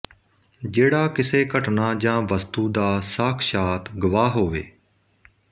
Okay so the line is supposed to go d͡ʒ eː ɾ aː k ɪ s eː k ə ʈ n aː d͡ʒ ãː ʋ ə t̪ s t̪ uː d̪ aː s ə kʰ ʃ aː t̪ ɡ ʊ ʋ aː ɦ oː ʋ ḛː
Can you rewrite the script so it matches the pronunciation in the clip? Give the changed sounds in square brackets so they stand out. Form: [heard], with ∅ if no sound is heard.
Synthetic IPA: d͡ʒ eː [ɽ] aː k ɪ s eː k ə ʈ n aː d͡ʒ ãː ʋ ə [∅] s t̪ uː d̪ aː s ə kʰ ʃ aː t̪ ɡ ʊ ʋ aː ɦ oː ʋ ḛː